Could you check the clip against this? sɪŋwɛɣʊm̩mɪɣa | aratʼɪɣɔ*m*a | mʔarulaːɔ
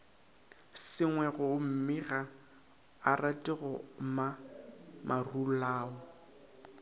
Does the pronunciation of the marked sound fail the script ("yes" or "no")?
no